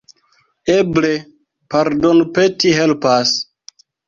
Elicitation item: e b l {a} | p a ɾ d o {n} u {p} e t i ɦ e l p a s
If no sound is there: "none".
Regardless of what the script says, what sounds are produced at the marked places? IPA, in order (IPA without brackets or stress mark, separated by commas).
e, n, p